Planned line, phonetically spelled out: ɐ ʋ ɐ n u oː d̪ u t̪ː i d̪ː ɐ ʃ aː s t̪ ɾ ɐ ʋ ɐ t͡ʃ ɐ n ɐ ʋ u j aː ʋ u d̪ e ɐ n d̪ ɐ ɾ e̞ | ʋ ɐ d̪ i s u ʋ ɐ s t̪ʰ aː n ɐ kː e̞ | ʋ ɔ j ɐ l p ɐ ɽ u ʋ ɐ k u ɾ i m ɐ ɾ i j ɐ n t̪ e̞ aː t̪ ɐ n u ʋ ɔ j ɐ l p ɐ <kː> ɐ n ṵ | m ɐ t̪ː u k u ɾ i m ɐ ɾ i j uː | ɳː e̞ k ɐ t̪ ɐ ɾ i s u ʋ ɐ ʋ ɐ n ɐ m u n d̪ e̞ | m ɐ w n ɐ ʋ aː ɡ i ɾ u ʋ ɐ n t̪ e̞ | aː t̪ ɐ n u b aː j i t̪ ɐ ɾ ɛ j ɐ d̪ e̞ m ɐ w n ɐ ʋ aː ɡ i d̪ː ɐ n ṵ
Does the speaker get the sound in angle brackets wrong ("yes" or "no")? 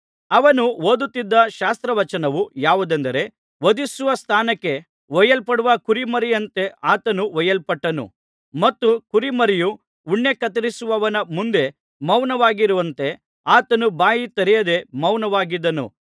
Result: yes